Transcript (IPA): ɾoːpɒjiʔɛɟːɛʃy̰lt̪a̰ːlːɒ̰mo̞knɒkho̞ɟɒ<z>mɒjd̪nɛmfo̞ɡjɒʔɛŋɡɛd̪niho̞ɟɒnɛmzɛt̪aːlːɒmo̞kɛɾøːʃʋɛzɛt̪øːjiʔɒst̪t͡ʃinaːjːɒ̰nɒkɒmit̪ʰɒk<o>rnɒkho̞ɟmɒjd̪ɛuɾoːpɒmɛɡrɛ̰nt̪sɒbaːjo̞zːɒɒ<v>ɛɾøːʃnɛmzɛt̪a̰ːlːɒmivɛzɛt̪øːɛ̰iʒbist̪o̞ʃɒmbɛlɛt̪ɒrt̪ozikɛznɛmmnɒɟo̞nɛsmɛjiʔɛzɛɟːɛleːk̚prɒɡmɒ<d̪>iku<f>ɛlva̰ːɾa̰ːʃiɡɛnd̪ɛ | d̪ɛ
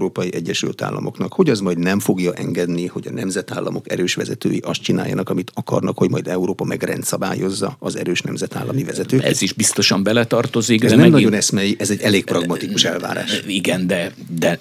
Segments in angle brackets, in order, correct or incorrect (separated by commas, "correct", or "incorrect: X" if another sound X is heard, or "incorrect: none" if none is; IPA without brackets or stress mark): correct, incorrect: ɒ, incorrect: z, incorrect: t̪, incorrect: ʃ